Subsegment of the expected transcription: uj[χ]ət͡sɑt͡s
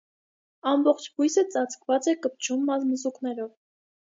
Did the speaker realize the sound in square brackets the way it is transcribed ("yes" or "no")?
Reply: no